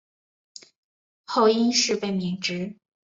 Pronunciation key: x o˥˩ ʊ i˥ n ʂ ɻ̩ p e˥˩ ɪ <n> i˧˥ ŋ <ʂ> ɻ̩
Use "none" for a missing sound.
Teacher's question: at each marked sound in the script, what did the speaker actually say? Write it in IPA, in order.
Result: m, ʈ͡ʂ

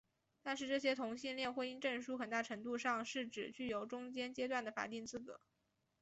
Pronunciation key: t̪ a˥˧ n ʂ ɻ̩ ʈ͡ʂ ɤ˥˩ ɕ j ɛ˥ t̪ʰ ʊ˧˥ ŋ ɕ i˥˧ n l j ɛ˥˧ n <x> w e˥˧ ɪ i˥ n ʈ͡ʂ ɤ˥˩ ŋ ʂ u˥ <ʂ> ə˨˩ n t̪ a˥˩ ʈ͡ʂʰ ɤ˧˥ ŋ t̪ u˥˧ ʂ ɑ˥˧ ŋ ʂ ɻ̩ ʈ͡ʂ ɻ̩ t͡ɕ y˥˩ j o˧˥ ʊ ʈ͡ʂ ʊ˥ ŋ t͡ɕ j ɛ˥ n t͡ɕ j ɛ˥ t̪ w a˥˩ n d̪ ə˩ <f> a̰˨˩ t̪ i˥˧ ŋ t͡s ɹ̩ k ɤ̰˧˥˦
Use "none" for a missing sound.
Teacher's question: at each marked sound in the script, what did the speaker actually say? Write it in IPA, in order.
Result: x, x, f

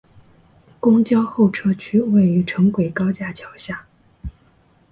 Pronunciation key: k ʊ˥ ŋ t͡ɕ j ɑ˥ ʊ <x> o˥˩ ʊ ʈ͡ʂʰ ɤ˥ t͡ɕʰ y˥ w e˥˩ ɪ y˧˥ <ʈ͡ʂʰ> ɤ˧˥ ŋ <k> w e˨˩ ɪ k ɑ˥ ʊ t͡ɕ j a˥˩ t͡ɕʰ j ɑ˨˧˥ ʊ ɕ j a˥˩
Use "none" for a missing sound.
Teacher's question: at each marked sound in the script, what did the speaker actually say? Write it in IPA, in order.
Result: x, ʈ͡ʂʰ, k

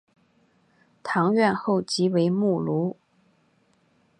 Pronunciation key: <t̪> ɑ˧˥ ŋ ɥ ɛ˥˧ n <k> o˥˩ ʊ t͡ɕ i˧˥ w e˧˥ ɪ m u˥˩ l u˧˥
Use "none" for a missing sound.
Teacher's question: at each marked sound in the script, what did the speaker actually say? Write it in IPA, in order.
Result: t̪ʰ, x

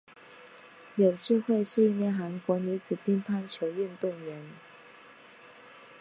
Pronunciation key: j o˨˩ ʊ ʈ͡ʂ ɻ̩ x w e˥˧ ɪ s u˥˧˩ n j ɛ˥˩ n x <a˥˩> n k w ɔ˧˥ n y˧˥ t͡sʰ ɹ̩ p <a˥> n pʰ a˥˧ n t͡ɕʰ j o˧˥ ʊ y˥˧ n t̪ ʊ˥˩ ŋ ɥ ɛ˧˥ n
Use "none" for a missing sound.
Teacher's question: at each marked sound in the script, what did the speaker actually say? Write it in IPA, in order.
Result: a˧˥, i˥

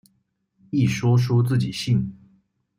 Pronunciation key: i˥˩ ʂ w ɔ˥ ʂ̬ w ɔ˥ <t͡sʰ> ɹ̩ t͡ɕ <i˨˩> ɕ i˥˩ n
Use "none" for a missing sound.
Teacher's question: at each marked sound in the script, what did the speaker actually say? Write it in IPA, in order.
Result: t͡s, i˨˩

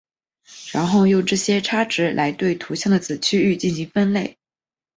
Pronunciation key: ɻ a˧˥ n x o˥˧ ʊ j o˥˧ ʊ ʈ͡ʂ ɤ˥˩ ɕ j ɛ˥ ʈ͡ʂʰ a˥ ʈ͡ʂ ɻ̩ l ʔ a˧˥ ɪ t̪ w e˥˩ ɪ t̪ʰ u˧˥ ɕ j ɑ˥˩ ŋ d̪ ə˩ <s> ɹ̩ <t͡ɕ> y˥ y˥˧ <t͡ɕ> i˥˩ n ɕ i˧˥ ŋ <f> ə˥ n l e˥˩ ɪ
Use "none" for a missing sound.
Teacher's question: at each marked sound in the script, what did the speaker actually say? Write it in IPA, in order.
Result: t͡s, t͡ɕʰ, t͡ɕ, f

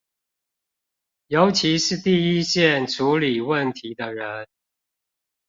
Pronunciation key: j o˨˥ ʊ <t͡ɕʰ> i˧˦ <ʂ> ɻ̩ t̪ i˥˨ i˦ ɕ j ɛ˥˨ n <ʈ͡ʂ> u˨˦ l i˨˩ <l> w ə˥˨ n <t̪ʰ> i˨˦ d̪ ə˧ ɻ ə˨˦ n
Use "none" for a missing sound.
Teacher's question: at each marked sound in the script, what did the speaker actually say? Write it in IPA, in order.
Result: t͡ɕʰ, ʂ, ʈ͡ʂʰ, none, t̪ʰ

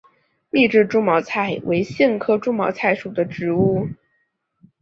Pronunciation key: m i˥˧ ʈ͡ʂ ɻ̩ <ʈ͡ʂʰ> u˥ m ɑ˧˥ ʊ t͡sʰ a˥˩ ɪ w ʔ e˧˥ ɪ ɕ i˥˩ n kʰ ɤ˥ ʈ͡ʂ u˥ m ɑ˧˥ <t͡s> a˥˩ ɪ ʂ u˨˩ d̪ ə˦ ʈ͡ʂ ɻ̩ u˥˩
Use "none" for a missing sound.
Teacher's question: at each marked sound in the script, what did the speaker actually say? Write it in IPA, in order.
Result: ʈ͡ʂ, t͡sʰ

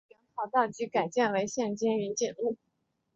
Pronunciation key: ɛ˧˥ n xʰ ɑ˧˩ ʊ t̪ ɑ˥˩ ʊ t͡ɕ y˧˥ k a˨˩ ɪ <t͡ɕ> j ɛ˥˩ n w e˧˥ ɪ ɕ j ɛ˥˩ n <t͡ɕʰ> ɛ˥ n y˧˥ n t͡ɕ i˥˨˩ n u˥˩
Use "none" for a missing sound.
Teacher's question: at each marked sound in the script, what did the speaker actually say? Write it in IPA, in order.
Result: t͡ɕ, t͡ɕ

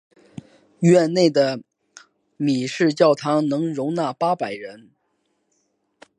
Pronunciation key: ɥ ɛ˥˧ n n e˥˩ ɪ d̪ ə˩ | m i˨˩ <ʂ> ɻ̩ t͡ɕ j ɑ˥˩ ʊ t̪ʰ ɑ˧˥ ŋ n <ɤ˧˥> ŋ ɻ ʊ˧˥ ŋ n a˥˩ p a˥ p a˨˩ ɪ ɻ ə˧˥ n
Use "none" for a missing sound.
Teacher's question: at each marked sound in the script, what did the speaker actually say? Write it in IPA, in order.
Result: ʂ, ɤ˧˥

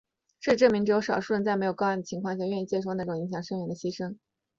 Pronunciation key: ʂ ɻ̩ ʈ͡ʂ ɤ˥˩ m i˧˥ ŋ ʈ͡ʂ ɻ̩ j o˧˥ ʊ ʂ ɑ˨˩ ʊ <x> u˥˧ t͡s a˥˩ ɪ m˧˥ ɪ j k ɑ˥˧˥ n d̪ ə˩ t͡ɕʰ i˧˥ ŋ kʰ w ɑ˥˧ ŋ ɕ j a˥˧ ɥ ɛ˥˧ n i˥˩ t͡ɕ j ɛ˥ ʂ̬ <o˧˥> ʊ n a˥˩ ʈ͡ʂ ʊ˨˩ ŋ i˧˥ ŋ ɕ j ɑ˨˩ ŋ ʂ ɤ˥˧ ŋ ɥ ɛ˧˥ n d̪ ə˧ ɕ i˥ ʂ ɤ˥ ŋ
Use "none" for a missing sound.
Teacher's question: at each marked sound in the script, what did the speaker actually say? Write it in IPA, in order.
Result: ʂ, o˥˧

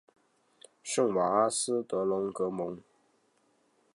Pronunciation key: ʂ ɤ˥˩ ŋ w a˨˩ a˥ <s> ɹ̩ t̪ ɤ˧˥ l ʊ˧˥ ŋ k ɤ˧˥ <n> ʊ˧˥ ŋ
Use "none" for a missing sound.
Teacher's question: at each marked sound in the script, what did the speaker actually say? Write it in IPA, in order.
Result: s, m

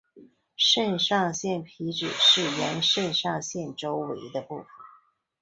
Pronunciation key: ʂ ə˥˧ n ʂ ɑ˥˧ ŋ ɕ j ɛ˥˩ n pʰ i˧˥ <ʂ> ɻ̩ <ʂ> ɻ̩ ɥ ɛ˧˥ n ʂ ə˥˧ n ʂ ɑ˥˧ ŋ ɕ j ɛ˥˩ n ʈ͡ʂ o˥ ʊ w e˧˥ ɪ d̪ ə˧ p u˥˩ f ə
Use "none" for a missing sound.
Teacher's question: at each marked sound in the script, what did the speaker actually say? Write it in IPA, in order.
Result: ʈ͡ʂ, ʂ

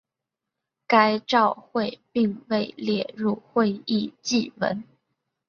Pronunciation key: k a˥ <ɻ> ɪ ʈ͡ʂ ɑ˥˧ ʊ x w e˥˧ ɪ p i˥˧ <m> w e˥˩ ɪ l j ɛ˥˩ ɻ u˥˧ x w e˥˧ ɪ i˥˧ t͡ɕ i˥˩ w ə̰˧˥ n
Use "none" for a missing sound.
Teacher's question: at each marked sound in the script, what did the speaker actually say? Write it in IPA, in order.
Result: none, ŋ

